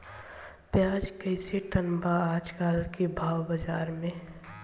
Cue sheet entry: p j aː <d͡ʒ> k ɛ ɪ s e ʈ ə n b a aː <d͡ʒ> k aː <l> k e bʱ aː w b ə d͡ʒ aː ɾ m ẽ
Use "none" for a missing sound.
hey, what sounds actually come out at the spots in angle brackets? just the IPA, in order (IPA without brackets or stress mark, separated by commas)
d͡ʒ, d͡ʒ, l